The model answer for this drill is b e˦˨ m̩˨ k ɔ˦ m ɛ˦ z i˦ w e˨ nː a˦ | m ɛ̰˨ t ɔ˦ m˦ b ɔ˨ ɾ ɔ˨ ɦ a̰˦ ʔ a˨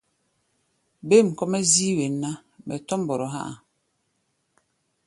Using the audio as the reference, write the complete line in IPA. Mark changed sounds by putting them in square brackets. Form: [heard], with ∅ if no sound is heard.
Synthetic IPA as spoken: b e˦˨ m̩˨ k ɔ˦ m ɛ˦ z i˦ w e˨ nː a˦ | m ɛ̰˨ t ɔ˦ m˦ b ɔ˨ ɾ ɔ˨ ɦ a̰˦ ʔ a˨